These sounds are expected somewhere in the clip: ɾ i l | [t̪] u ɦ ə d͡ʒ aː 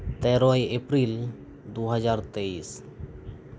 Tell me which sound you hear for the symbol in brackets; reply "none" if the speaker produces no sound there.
d̪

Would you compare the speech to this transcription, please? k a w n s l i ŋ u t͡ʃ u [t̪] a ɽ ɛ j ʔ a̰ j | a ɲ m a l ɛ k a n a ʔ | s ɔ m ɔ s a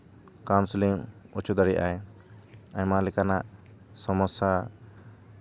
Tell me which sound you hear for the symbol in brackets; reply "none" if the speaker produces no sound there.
d̪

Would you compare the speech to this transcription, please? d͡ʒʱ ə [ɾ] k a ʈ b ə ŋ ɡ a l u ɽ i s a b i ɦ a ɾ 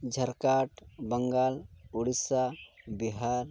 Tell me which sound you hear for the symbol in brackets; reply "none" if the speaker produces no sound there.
ɾ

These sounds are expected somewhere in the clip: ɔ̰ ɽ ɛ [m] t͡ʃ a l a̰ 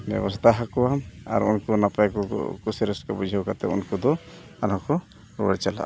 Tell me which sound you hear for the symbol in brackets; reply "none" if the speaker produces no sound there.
none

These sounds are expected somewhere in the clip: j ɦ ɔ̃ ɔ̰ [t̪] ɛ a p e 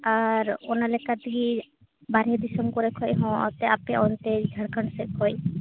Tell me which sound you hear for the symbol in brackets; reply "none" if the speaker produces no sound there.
t̪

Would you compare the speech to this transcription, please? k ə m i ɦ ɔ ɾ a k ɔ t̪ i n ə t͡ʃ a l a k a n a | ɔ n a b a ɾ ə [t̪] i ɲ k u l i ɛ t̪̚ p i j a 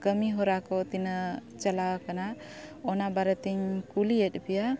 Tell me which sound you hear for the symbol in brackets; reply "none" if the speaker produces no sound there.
t̪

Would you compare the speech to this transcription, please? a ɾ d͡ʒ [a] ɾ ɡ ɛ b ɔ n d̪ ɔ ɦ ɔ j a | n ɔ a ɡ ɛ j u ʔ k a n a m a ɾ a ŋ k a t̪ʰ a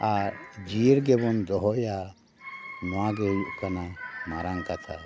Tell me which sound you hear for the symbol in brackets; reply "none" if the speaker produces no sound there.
i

